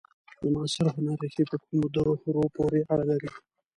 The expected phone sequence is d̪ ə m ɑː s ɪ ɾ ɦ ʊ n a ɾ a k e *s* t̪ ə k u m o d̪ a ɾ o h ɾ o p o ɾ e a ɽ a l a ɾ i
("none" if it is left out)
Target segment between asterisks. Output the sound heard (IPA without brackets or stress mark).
none